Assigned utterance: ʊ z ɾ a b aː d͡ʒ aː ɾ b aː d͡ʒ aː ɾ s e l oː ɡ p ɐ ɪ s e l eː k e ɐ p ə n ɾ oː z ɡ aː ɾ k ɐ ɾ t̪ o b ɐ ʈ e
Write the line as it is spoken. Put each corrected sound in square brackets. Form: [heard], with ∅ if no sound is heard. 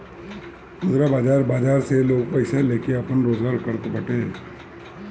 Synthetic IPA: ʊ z ɾ a b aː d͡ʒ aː ɾ b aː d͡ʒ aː ɾ s e l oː ɡ p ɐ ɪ s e l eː k e ɐ p ə n ɾ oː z ɡ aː ɾ k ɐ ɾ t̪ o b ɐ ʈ e